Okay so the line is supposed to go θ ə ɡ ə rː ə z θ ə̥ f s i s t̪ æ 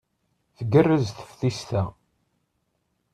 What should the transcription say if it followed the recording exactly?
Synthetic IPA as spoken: θ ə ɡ ə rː ə z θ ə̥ f θ i s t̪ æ